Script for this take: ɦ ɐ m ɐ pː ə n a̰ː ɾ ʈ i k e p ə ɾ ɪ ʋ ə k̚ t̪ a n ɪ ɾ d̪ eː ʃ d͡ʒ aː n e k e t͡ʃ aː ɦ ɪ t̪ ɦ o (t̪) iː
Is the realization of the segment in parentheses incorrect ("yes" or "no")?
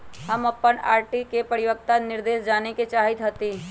no